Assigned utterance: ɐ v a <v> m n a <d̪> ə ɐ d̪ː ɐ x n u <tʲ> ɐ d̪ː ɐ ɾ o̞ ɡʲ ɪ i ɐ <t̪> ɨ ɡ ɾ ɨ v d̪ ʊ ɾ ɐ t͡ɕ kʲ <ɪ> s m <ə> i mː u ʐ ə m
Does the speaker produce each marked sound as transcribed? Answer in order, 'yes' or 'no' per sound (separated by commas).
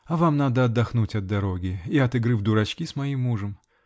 no, yes, yes, yes, no, no